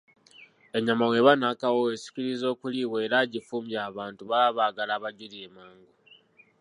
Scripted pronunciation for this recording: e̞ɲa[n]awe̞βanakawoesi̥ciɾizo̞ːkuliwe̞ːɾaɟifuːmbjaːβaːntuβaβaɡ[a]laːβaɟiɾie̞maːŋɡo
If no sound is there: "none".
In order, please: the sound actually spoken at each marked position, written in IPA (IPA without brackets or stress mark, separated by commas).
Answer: m, a